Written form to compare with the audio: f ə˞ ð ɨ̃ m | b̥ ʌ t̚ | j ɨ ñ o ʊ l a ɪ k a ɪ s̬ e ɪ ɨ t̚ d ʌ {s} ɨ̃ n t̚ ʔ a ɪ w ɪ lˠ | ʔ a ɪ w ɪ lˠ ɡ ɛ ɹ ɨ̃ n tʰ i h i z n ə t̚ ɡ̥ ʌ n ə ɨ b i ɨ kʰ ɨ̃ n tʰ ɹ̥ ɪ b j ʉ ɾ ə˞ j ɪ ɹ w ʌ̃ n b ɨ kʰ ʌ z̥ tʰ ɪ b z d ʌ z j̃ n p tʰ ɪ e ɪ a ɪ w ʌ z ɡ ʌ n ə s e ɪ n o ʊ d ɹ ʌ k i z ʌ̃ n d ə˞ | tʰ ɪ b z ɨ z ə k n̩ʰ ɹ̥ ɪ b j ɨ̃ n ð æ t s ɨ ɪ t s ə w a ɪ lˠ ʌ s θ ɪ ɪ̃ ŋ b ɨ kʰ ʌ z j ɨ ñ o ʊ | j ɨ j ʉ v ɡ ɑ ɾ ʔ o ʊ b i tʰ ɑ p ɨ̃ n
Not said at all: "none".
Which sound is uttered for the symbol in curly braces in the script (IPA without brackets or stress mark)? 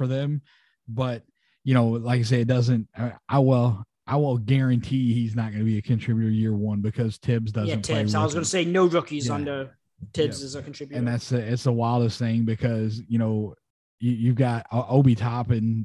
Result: z